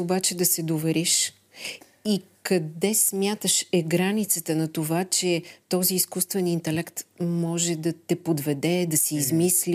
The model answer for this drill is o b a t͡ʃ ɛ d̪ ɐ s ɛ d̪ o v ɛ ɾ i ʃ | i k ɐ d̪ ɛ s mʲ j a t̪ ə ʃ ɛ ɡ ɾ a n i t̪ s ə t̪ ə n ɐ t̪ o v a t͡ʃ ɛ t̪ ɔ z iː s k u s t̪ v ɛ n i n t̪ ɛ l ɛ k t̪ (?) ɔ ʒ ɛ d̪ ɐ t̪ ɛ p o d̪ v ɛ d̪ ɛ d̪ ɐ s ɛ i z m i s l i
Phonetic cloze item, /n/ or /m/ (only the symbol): m